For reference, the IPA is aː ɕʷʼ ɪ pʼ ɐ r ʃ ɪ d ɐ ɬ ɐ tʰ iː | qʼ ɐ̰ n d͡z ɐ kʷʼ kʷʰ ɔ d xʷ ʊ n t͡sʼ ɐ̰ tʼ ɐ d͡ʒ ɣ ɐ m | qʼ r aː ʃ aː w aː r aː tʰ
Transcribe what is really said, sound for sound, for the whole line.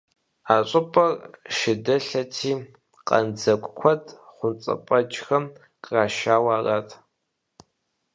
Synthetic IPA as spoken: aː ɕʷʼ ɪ pʼ ɐ r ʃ ɪ d ɐ ɬ ɐ tʰ iː | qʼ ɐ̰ n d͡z ɐ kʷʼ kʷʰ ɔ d χʷ ʊ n t͡sʼ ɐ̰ pʼ ɐ d͡ʒ x ɐ m | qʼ r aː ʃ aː w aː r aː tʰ